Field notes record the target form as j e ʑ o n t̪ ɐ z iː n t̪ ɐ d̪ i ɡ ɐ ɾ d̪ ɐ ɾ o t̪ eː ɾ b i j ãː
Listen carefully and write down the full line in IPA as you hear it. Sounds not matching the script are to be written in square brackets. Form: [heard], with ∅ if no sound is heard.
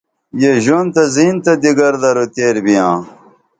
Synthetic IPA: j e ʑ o n t̪ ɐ z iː n t̪ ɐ d̪ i ɡ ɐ ɾ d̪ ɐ ɾ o t̪ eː ɾ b i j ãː

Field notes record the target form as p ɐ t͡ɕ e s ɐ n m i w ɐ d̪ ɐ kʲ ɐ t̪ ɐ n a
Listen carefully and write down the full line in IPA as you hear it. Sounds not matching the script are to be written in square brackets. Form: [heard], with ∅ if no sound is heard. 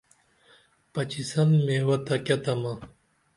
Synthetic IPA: p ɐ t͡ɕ [i] s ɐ n m [e] w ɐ [t̪] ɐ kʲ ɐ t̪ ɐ [m] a

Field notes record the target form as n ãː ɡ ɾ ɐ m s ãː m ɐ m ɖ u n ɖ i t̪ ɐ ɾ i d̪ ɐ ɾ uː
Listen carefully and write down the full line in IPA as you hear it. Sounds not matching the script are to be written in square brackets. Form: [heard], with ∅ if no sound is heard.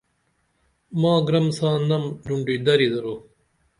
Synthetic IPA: [m] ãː ɡ ɾ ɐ m s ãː [n] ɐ m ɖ u [ɳ] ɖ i [d̪] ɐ ɾ i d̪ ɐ ɾ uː

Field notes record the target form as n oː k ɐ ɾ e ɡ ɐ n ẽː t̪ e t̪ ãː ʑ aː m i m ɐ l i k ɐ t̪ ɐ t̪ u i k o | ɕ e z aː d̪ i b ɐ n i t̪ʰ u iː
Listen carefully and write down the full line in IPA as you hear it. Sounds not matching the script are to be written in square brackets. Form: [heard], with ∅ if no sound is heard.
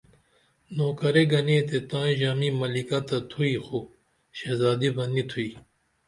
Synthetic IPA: n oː k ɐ ɾ e ɡ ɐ n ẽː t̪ e t̪ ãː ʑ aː m i m ɐ l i k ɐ t̪ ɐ [t̪ʰ] u i [x] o | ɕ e z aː d̪ i b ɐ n i t̪ʰ u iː

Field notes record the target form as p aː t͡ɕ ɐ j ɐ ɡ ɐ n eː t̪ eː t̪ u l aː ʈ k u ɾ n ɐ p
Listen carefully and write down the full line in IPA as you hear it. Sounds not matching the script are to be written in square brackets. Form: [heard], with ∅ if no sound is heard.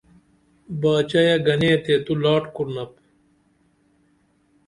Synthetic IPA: [b] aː t͡ɕ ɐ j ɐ ɡ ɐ n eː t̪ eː t̪ u l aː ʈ k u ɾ n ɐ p

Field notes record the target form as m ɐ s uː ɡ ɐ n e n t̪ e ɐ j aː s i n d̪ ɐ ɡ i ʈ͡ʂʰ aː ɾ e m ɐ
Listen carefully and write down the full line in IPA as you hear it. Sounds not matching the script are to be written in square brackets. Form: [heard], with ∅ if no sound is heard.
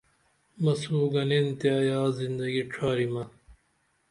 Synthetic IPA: m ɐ s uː ɡ ɐ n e n t̪ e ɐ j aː [z] i n d̪ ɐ ɡ i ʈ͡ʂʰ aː ɾ [i] m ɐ

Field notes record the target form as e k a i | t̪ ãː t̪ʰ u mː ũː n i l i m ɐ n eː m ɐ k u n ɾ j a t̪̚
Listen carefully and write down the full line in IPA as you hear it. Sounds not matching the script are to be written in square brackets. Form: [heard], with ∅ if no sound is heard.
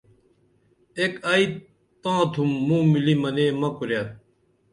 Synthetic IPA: e k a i | t̪ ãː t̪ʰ u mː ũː [m] i l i m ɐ n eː m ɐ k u [∅] ɾ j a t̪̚

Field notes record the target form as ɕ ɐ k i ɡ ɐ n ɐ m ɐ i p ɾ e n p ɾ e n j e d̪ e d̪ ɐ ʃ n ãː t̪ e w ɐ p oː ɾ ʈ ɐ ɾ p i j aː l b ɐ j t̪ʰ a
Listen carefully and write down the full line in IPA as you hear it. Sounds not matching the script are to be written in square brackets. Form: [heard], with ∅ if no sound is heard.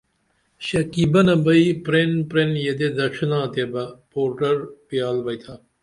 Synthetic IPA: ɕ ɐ k i [b] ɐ n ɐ [b] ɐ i p ɾ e n p ɾ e n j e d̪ e d̪ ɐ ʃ n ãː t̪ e [b] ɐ p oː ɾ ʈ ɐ ɾ p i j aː l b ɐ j t̪ʰ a

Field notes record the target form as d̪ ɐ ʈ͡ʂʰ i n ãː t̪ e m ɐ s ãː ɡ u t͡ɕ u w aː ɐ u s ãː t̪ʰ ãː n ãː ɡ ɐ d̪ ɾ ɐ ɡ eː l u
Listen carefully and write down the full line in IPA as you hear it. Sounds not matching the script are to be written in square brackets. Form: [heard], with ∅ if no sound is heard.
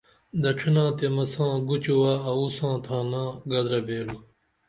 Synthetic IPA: d̪ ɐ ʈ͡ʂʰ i n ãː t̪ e m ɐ s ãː ɡ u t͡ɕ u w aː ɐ u s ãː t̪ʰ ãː n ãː ɡ ɐ d̪ ɾ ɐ [b] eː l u

